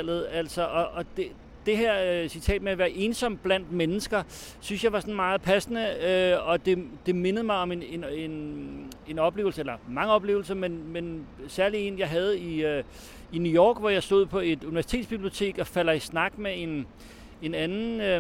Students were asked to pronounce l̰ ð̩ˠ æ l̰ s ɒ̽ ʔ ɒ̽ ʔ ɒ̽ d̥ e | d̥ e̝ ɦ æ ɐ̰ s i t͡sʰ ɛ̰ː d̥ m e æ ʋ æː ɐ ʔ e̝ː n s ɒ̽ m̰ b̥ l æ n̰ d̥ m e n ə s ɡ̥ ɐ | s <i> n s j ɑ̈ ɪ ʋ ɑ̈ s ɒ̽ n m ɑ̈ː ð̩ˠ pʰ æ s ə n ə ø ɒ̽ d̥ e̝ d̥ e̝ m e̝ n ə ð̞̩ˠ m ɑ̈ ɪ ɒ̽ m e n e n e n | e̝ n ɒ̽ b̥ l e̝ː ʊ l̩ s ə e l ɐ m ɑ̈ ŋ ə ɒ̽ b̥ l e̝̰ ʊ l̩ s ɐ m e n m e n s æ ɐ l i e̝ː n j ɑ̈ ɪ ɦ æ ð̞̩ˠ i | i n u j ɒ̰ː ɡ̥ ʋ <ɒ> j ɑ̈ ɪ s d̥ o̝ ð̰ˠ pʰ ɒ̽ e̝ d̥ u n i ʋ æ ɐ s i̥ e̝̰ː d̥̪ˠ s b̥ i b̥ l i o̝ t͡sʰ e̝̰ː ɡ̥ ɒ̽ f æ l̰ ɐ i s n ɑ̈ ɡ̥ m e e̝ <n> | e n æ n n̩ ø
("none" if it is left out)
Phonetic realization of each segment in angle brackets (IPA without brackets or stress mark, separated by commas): y, ɒ, n